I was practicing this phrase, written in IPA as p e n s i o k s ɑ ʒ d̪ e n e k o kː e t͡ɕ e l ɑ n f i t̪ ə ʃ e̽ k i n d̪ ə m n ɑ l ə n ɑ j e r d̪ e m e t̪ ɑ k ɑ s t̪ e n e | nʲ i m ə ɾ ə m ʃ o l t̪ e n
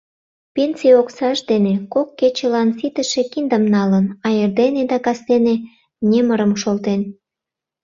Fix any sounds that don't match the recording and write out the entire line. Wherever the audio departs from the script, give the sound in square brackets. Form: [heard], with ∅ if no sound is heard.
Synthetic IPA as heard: p e n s i o k s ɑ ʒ d̪ e n e k o kː e t͡ɕ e l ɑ n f i t̪ ə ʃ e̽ k i n d̪ ə m n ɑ l ə n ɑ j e r d̪ e [n] e [d̪] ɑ k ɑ s t̪ e n e | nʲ [e] m ə ɾ ə m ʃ o l t̪ e n